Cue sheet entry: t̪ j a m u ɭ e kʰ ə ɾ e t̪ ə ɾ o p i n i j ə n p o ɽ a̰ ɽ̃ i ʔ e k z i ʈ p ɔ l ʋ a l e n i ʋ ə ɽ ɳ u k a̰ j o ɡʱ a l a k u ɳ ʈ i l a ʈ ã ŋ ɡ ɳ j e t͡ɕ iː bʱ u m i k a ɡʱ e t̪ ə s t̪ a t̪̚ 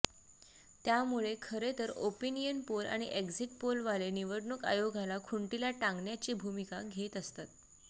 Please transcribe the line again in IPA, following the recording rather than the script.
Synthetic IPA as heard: t̪ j a m u ɭ e kʰ ə ɾ e t̪ ə ɾ o p i n i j ə n p o l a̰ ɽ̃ i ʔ e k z i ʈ p o l ʋ a l e n i ʋ ə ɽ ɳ u k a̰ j o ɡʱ a l a kʰ u ɳ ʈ i l a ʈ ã ŋ ɡ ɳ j a t͡ɕ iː bʱ u m i k a ɡʱ e t̪ ə s t̪ a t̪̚